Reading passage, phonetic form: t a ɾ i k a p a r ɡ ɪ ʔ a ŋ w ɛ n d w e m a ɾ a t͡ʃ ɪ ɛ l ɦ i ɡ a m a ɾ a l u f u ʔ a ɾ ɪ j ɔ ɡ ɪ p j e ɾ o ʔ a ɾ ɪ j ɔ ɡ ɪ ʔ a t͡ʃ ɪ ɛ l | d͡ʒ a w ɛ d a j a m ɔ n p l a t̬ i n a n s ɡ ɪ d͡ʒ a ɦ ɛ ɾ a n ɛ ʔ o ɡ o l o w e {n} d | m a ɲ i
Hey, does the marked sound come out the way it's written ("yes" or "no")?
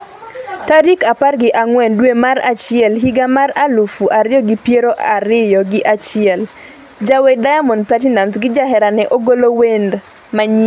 yes